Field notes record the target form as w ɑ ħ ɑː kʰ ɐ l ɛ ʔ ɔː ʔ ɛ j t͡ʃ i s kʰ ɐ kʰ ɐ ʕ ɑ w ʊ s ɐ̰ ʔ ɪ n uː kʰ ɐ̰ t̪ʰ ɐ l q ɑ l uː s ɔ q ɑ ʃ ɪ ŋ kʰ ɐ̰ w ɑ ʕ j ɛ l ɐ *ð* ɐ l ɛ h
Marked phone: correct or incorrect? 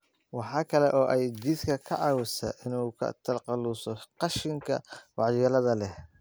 correct